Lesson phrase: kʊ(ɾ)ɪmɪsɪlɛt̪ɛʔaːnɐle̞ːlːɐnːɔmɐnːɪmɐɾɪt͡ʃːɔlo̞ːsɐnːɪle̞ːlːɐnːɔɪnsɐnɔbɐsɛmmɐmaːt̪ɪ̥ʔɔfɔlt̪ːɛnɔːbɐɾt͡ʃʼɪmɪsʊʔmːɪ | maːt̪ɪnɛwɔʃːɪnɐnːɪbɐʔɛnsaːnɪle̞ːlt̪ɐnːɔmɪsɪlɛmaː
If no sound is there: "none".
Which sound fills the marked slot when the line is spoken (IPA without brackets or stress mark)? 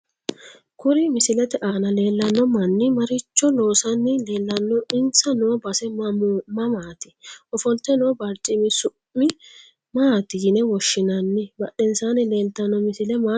ɾ